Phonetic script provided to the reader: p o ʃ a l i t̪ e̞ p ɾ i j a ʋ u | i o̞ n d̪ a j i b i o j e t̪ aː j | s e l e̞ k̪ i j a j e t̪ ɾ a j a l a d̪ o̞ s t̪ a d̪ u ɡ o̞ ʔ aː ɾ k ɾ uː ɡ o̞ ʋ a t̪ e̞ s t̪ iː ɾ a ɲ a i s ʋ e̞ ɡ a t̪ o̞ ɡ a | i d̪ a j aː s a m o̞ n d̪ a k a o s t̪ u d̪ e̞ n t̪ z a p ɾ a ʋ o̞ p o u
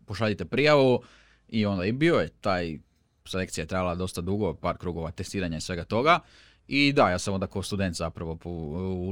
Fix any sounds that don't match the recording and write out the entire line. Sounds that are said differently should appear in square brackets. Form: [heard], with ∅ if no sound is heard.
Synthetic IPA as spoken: p o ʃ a [ʎ] i t̪ e̞ p ɾ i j a ʋ u | i o̞ n d̪ a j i b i o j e t̪ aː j | s e l e̞ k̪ i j a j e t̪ ɾ a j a l a d̪ o̞ s t̪ a d̪ u ɡ o̞ [p] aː ɾ k ɾ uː ɡ o̞ ʋ a t̪ e̞ s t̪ iː ɾ a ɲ a i s ʋ e̞ ɡ a t̪ o̞ ɡ a | i d̪ a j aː s a m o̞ n d̪ a k a o s t̪ u d̪ e̞ n t̪ z a p ɾ a ʋ o̞ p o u